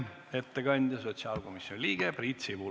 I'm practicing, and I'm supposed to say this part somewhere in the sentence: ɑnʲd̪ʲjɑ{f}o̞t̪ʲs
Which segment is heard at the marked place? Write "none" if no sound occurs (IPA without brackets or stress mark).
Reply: s